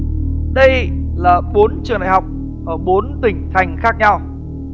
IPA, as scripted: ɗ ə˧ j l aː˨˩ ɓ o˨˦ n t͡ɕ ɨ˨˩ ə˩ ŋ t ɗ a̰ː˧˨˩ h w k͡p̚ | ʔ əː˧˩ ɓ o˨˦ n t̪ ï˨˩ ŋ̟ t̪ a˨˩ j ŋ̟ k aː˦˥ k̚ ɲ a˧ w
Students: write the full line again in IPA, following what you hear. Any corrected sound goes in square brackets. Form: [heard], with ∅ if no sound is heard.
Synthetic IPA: ɗ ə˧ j l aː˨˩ ɓ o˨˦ n t͡ɕ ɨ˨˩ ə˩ ŋ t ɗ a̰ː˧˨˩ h w k͡p̚ | ʔ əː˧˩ ɓ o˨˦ n t̪ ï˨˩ ŋ̟ [t̪ʰ] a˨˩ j ŋ̟ [x] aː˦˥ k̚ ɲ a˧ w